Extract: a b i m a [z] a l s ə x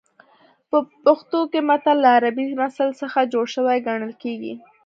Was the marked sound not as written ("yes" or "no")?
yes